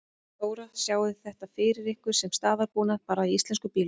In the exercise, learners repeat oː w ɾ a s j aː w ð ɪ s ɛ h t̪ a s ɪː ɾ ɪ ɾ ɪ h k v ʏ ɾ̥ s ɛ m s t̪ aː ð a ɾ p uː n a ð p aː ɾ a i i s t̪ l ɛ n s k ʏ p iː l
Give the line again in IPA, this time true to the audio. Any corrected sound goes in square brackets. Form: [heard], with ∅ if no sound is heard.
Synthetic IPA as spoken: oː w ɾ a s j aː w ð ɪ [θ] ɛ h t̪ a [f] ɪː ɾ ɪ ɾ ɪ h k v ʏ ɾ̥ s ɛ m s t̪ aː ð a ɾ p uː n a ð p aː ɾ a i i s t̪ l ɛ n s k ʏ p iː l

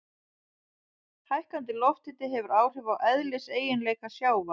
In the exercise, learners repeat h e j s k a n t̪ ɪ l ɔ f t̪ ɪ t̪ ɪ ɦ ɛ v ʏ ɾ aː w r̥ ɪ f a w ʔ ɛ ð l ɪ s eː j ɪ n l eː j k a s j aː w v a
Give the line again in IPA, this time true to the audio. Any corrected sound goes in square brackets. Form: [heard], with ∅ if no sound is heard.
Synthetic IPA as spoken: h [a] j [h] k a n t̪ ɪ l ɔ f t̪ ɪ t̪ ɪ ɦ ɛ v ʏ ɾ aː w r̥ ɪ [v] a w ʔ ɛ ð l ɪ s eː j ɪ n l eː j k a s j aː w v a

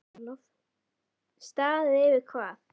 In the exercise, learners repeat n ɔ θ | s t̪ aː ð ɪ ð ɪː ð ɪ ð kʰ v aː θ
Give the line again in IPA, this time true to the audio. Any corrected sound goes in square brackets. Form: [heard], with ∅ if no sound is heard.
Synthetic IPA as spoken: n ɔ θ | s t̪ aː ð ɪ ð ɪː [v] ɪ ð kʰ v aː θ

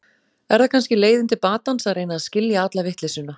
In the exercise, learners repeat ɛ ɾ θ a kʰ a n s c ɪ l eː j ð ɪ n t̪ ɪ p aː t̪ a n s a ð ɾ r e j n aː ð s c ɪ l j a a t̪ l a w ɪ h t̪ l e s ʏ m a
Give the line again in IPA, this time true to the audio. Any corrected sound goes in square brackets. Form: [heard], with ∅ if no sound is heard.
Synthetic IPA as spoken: ɛ ɾ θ a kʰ a n s c ɪ l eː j ð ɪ n t̪ ɪ p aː t̪ a n s a ð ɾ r e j n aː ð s c ɪ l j a a t̪ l a [v] ɪ h t̪ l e s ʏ [n] a

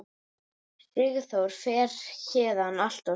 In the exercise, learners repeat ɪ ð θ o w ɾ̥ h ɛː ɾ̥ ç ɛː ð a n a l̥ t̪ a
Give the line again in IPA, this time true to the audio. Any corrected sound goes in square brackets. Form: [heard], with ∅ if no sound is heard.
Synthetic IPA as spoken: ɪ [ɣ] θ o w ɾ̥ [f] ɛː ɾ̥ ç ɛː ð a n a l̥ t̪ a

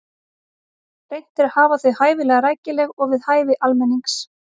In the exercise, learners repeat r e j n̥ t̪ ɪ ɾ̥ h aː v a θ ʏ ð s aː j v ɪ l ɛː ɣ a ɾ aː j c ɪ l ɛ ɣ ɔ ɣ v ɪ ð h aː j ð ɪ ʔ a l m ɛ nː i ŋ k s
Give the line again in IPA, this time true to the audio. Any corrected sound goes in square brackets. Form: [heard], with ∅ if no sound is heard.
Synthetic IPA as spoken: r e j n̥ t̪ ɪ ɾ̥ h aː v a θ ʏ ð [h] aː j v ɪ l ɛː ɣ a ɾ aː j c ɪ l ɛ ɣ ɔ ɣ v ɪ ð h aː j [v] ɪ ʔ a l m ɛ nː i ŋ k s

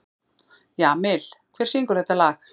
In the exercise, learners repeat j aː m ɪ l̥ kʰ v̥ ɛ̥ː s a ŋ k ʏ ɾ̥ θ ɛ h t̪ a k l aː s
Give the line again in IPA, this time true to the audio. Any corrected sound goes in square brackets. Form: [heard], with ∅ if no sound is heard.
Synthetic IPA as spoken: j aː m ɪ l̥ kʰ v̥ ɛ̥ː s [i] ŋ k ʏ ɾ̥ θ ɛ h t̪ a [∅] l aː [x]

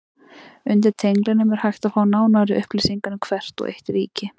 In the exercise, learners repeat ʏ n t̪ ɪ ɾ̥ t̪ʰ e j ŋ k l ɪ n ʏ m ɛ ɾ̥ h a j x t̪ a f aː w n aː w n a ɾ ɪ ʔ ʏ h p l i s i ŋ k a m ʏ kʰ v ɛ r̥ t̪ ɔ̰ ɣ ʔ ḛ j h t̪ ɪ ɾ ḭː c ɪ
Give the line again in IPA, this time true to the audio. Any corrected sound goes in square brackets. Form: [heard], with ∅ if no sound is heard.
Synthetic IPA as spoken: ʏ n t̪ ɪ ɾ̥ t̪ʰ e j ŋ k l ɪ n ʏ m ɛ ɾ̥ h a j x t̪ a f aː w n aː w n a ɾ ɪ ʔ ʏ h p l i s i ŋ k a [n] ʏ kʰ v ɛ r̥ t̪ ɔ̰ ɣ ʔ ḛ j h t̪ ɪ ɾ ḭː c ɪ

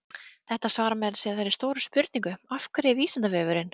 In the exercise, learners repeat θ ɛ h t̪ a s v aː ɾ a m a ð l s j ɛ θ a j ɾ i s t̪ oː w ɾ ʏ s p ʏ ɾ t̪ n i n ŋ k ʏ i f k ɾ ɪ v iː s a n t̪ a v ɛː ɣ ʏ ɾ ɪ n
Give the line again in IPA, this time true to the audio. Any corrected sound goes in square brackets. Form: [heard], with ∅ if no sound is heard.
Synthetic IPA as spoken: θ ɛ h t̪ a s v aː ɾ a m [ɛ] ð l s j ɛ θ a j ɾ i s t̪ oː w ɾ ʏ s p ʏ ɾ t̪ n i [∅] ŋ k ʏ [a] f k ɾ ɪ v iː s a n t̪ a v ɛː [v] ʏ ɾ ɪ n

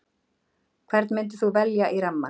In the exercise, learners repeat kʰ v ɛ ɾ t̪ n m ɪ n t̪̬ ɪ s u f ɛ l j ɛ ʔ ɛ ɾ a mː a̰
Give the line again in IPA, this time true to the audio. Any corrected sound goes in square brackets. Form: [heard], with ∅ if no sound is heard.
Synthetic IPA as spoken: kʰ v ɛ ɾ t̪ n m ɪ n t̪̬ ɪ [θ] u [v] ɛ l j [a] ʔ [i] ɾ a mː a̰

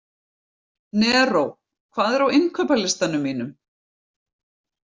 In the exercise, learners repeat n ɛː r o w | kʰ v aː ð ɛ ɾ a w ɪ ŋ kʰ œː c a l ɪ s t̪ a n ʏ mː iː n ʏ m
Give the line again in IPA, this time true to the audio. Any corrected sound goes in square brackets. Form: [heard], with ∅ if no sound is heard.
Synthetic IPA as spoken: n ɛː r o w | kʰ v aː ð ɛ ɾ a w ɪ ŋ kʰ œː [p] a l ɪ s t̪ a n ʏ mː iː n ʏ m

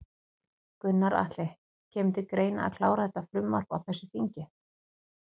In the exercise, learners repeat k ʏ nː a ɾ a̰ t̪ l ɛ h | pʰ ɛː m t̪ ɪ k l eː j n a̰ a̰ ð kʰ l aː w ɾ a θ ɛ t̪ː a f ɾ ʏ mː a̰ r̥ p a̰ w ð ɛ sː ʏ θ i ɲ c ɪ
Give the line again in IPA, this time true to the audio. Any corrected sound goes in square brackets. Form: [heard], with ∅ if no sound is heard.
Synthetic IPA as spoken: k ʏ nː a ɾ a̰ t̪ l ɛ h | [cʰ] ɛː m t̪ ɪ k [ɾ] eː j n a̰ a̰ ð kʰ l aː w ɾ a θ ɛ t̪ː a f ɾ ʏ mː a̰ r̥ p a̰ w [θ] ɛ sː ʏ θ i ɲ c ɪ

